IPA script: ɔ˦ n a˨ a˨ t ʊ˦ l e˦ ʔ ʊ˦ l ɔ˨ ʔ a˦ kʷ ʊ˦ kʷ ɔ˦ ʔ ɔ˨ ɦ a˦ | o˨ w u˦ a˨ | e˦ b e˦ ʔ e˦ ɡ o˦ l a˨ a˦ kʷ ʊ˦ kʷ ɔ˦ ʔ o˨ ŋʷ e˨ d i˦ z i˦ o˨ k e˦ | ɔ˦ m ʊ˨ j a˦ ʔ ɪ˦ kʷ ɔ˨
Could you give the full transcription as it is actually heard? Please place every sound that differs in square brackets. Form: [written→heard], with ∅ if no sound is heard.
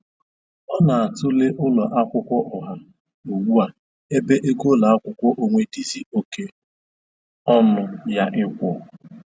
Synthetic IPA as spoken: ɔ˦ n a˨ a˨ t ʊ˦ l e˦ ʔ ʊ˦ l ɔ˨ ʔ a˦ kʷ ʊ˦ kʷ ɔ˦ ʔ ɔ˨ ɦ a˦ | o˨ w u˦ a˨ | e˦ b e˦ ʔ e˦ ɡ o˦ l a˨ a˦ kʷ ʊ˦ kʷ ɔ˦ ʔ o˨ ŋʷ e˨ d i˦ z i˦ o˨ k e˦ | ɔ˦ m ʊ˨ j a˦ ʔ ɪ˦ kʷ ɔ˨